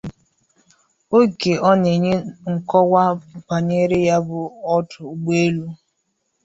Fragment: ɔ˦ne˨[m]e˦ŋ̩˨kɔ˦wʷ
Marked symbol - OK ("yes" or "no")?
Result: no